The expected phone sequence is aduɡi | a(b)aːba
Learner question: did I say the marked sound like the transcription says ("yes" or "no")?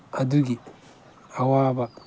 no